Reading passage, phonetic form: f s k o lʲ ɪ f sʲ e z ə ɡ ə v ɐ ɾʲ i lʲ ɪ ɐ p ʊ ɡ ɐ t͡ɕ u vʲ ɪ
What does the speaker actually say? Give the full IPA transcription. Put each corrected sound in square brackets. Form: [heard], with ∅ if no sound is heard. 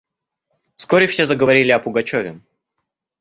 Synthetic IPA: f s k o [ɾʲ] ɪ f sʲ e z ə ɡ ə v ɐ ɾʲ i lʲ ɪ ɐ p ʊ ɡ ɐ t͡ɕ [o] vʲ ɪ